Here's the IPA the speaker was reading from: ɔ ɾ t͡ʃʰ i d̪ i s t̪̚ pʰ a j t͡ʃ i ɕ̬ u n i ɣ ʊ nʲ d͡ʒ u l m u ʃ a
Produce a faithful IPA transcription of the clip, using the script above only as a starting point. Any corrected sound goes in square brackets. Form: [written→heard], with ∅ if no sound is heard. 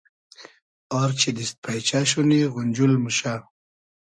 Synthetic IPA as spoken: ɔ ɾ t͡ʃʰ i d̪ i s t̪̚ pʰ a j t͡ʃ [i→a] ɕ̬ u n i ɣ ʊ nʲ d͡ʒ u l m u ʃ a